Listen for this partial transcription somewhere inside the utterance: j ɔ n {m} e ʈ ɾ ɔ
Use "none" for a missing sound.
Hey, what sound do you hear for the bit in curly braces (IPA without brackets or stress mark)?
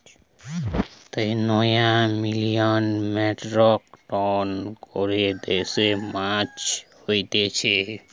m